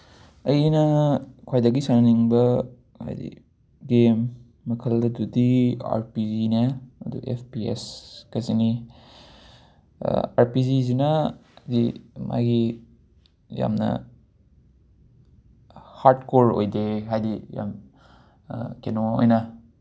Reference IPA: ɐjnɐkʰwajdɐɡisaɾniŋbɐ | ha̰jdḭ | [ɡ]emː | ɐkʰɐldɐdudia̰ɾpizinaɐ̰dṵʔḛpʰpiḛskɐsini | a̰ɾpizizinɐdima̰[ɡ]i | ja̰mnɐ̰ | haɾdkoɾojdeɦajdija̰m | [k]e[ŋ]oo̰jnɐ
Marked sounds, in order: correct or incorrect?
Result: correct, correct, correct, incorrect

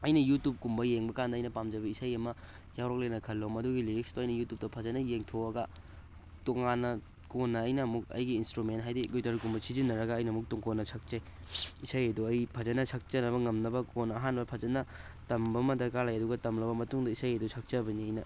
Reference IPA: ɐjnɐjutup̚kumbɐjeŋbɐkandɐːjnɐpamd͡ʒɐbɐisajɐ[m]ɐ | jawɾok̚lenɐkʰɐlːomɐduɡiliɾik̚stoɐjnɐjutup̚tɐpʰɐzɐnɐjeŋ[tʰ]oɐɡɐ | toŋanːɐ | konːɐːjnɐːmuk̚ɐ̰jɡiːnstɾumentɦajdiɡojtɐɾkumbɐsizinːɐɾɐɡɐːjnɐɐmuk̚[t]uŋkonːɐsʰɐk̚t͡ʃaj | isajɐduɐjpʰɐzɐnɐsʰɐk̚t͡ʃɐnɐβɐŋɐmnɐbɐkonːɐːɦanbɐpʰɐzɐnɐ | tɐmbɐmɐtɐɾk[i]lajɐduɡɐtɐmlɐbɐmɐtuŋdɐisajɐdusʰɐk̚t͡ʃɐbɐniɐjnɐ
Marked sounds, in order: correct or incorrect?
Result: correct, correct, correct, incorrect

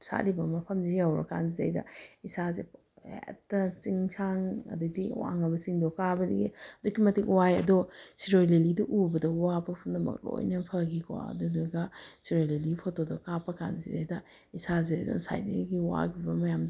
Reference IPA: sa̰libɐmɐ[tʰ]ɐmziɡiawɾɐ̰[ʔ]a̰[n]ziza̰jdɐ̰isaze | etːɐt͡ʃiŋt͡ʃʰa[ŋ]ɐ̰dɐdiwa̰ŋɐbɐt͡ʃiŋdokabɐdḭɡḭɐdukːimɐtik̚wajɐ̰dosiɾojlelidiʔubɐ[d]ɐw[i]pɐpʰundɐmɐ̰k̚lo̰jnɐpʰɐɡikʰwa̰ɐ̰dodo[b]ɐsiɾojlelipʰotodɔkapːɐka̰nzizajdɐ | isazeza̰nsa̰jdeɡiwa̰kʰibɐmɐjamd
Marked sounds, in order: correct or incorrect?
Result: incorrect, incorrect, correct, correct, correct, incorrect, incorrect

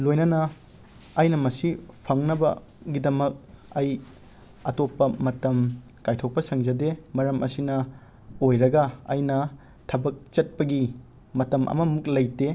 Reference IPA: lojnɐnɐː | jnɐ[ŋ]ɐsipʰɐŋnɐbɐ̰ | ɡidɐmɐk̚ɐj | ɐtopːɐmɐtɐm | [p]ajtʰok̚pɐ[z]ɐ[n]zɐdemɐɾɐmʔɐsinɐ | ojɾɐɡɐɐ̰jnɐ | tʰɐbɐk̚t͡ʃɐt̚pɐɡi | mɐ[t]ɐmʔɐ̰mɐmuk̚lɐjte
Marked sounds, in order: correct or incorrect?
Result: incorrect, incorrect, incorrect, incorrect, correct

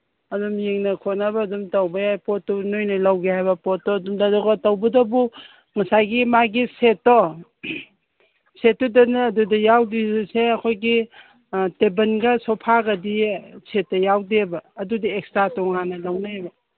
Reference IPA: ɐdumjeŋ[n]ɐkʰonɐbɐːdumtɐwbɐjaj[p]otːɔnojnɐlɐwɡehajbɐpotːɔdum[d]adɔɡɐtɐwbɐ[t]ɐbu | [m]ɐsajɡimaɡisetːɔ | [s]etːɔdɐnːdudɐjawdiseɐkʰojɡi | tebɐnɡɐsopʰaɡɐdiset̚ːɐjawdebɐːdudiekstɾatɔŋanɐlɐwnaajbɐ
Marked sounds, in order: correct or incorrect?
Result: correct, correct, correct, incorrect, incorrect, correct

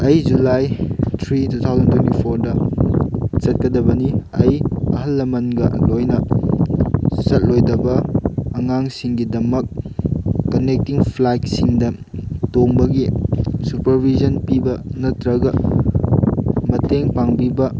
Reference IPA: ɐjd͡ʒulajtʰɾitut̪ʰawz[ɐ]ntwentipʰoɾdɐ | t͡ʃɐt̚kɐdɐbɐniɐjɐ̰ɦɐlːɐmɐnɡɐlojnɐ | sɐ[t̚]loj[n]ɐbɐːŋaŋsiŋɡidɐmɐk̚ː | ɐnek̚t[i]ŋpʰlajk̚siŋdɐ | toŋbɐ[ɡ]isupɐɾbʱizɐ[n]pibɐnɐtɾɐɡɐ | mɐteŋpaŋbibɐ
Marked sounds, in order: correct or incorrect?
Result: correct, correct, incorrect, correct, correct, correct

